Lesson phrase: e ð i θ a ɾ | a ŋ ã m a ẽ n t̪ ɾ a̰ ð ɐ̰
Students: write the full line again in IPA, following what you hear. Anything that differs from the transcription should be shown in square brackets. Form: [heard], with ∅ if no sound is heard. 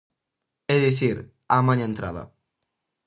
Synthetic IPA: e ð i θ [i] ɾ | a [m] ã [ɲ] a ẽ n t̪ ɾ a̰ ð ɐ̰